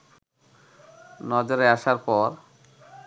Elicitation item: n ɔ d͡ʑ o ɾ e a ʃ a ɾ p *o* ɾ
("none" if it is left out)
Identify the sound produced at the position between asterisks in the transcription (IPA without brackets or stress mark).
ɔ